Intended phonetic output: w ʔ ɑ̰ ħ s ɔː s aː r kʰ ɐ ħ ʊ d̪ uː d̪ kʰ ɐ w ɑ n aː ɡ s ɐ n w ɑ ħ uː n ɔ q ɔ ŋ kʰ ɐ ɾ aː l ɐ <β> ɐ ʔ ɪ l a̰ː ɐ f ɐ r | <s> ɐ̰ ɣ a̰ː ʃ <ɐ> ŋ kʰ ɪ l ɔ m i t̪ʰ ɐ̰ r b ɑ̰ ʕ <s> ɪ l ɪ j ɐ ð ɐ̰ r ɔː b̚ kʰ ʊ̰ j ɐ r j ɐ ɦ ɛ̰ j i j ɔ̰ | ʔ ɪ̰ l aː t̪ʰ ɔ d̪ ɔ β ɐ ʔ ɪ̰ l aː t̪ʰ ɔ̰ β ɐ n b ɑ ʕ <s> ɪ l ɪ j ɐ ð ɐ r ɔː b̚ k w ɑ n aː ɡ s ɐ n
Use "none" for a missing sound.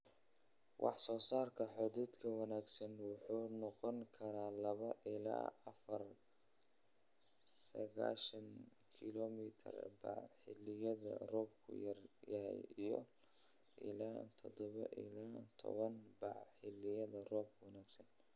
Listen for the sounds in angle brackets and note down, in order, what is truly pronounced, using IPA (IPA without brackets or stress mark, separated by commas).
β, s, ɐ, ħ, ħ